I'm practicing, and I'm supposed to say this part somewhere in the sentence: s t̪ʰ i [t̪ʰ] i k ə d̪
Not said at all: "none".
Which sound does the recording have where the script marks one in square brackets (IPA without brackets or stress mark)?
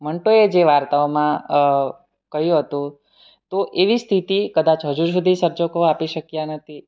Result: t̪